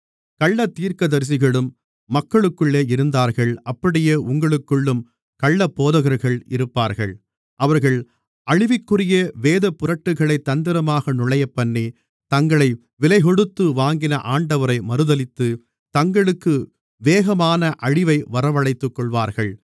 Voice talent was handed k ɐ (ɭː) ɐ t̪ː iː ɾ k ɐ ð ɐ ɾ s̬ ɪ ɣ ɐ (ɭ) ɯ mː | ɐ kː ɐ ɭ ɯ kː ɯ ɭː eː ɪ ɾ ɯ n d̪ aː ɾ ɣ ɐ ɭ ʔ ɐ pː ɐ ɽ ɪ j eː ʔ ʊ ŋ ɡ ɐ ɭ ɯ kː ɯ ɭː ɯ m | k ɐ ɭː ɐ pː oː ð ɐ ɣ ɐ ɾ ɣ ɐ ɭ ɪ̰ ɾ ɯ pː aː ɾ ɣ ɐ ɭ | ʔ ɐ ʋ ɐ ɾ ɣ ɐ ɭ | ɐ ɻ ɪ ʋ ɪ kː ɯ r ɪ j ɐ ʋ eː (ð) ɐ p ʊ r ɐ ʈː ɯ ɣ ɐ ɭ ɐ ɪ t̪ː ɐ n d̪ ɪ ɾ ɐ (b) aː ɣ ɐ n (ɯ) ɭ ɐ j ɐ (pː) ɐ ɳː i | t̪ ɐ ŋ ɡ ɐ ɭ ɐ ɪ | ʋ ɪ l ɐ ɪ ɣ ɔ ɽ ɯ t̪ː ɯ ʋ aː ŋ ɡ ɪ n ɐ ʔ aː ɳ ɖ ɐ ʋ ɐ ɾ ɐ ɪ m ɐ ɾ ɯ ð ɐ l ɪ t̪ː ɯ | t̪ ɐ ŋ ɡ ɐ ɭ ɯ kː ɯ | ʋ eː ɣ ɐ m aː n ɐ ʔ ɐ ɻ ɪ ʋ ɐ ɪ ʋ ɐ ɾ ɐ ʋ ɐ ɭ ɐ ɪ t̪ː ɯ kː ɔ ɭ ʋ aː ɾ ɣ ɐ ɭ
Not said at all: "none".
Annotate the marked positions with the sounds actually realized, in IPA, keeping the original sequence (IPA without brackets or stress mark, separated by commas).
ɭː, ɭ, ð, m, ʊ, pː